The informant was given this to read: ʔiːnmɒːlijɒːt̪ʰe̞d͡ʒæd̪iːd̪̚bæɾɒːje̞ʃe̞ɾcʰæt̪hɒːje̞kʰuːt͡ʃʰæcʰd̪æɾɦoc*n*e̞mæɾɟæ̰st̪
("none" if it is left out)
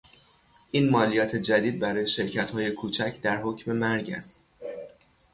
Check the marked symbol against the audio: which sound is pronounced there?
m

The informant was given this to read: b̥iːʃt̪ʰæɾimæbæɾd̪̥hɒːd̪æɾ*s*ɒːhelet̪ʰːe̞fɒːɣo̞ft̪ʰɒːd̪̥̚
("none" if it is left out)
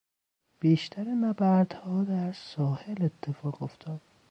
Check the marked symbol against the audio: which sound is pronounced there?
s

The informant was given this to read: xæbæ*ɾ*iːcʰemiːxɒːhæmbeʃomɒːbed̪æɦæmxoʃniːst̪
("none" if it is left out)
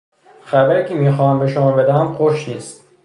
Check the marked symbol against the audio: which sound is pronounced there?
ɾ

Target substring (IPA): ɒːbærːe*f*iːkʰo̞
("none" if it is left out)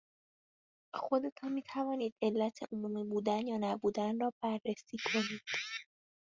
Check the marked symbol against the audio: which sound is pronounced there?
s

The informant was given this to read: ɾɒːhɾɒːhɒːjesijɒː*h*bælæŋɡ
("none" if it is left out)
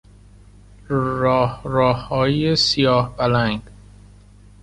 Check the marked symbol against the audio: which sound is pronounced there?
h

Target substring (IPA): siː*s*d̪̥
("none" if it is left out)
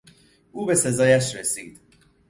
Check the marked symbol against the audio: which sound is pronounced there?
none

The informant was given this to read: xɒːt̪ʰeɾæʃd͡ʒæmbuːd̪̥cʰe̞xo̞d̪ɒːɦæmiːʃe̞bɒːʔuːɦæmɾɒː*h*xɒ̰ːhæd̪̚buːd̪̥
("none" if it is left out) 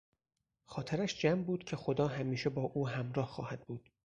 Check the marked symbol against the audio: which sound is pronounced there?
h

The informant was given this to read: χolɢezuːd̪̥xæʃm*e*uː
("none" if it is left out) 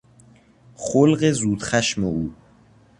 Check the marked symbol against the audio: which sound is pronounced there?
e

